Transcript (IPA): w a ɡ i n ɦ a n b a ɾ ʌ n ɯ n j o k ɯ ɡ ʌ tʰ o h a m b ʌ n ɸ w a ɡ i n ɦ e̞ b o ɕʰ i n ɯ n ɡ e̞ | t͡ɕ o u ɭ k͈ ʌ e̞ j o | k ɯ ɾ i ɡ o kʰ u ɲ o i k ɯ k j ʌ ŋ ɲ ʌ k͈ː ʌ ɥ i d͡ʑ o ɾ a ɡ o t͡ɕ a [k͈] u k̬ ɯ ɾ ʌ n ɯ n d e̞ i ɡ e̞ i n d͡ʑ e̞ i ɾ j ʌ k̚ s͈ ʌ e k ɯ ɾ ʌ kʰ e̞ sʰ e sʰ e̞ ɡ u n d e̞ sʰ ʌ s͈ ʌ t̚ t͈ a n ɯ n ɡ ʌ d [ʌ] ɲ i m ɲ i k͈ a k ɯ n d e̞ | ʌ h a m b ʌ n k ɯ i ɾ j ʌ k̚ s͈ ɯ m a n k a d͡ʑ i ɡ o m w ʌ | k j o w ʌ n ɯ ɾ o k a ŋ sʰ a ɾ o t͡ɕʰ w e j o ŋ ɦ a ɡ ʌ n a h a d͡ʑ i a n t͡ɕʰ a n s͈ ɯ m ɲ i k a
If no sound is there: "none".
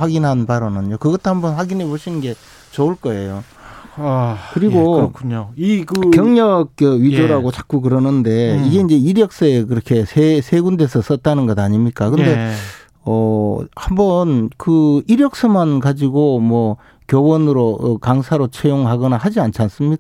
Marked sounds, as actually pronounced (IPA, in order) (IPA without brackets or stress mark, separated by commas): k͈, a